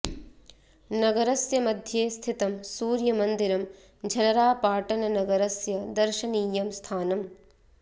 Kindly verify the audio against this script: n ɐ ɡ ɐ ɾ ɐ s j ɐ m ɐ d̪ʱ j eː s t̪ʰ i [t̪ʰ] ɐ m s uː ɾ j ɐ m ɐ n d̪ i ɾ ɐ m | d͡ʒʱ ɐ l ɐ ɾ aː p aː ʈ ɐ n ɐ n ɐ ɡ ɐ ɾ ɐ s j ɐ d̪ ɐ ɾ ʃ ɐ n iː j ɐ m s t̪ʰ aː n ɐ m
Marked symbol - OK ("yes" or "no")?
no